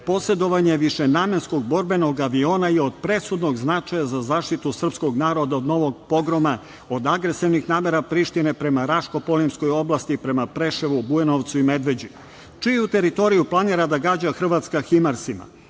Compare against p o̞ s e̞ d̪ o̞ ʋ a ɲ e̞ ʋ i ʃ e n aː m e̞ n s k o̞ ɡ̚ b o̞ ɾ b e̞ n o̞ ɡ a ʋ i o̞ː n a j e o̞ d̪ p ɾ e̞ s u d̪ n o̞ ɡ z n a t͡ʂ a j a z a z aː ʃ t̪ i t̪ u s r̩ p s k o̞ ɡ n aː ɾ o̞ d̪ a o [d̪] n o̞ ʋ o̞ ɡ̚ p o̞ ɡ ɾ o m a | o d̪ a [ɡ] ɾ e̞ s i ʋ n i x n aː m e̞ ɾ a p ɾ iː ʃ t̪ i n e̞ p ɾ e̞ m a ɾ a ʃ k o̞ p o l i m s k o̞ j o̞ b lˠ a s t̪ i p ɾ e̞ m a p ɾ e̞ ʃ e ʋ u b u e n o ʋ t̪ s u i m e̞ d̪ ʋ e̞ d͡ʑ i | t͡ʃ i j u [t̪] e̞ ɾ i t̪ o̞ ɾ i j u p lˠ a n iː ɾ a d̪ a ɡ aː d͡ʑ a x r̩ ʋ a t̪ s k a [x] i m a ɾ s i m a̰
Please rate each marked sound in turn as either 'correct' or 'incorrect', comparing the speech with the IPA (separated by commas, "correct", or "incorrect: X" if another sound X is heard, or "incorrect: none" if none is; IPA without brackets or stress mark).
correct, correct, correct, correct